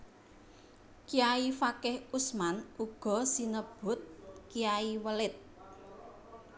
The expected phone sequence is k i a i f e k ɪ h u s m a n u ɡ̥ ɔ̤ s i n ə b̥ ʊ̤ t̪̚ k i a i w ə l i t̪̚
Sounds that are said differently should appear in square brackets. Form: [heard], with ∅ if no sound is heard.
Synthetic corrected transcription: k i a i f [a] k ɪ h u s m a n u ɡ̥ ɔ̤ s i n ə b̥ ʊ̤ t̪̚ k i a i w ə l [ɪ] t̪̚

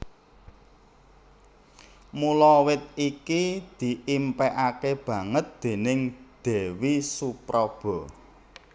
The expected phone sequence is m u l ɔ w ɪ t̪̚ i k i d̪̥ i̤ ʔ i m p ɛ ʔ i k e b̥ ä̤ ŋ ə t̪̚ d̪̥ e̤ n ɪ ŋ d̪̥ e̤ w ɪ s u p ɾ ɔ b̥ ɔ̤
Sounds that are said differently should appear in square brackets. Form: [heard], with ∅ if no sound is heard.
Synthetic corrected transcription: m u l ɔ w ɪ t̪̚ i k i d̪̥ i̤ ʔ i m p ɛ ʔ [a] k e b̥ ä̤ ŋ ə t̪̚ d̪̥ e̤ n ɪ ŋ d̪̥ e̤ w [i] s u p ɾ ɔ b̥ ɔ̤

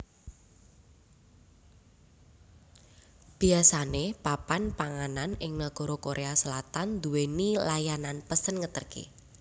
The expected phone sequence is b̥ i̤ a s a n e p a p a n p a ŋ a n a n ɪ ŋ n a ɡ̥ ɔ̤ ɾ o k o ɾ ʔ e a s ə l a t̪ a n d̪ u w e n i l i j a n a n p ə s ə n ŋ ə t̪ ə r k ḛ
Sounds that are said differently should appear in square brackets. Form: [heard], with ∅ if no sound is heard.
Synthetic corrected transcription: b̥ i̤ a s a n e p a p a n p a ŋ a n a n ɪ ŋ n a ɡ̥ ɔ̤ ɾ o k o ɾ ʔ e a s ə l a t̪ a n d̪ u w e n i l [a] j a n a n p ə s ə n ŋ ə t̪ ə r k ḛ

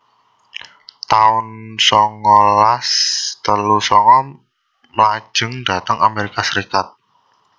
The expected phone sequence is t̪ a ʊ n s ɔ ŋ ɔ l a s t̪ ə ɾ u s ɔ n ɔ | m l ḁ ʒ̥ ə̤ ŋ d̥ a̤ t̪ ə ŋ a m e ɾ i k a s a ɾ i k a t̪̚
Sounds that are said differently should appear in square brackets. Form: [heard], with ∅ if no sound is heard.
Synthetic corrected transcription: t̪ a ʊ n s ɔ ŋ ɔ l a s t̪ ə [l] u s ɔ [ŋ] ɔ | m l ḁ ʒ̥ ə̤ ŋ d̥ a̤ t̪ ə ŋ a m e ɾ i k a s [ə] ɾ i k a t̪̚

